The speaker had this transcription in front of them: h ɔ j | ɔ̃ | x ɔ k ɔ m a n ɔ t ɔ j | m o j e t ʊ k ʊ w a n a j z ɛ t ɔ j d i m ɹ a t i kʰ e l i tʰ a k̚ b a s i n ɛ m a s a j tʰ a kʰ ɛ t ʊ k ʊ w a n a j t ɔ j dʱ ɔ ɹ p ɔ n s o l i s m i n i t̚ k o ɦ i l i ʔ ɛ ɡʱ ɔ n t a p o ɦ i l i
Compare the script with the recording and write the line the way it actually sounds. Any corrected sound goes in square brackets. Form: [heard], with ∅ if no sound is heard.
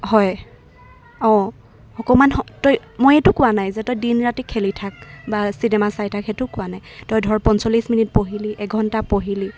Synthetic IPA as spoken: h ɔ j | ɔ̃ | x ɔ k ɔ m a n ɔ t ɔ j | m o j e t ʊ k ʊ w a n a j z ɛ t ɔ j d i [n] ɹ a t i kʰ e l i tʰ a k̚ b a s i n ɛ m a s a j tʰ a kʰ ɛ t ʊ k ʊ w a n a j t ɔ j dʱ ɔ ɹ p ɔ n s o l i s m i n i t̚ [p] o ɦ i l i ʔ ɛ ɡʱ ɔ n t a p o ɦ i l i